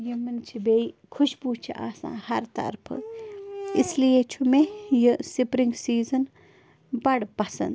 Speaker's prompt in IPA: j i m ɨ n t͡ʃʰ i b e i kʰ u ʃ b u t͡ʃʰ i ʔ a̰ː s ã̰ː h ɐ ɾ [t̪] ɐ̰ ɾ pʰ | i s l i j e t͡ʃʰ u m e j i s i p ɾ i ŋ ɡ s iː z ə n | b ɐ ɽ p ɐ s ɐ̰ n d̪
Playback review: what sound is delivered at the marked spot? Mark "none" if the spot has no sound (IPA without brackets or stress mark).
t̪